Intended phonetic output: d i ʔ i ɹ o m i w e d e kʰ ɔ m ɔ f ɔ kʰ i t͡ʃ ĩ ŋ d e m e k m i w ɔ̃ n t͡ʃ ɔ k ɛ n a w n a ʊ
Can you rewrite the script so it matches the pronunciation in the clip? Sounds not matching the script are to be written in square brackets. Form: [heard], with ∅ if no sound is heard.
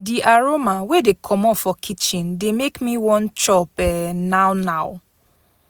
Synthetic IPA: d i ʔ [a] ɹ o m [a] w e d e kʰ ɔ m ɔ f ɔ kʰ i t͡ʃ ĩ [n] d e m e k m i w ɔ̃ n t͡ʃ ɔ [p] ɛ n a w n a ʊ